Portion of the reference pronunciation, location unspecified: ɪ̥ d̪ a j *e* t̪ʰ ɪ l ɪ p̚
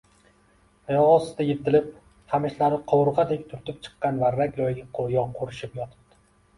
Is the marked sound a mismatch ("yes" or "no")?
no